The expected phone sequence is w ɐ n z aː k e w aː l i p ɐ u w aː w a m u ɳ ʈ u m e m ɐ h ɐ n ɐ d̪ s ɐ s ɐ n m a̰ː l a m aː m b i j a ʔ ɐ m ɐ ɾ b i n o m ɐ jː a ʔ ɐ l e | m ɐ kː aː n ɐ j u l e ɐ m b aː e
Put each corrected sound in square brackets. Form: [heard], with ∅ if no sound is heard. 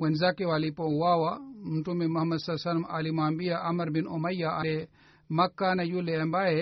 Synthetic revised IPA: w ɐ n z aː k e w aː l i p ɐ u w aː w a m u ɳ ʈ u m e m ɐ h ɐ [m] ɐ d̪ s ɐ s ɐ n m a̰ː l [i] m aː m b i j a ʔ ɐ m ɐ ɾ b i n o m ɐ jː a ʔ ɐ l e | m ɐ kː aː n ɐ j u l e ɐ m b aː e